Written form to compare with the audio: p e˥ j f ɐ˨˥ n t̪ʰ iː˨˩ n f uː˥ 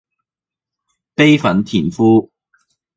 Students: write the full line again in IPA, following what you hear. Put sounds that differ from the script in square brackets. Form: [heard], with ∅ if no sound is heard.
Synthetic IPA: p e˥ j f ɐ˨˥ n t̪ʰ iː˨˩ n f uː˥